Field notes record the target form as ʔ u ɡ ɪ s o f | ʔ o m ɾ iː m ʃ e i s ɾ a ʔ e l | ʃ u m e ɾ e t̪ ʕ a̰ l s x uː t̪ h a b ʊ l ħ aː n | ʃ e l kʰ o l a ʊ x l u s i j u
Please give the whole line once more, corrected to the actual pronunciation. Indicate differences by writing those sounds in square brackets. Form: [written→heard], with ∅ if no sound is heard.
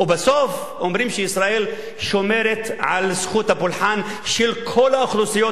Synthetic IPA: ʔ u [ɡ→b] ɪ s o f | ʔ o m ɾ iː m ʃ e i s ɾ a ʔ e l | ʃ [u→o] m e ɾ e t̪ ʕ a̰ l s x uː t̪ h a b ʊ l ħ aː n | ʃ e l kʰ o l a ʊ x l u s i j [u→o]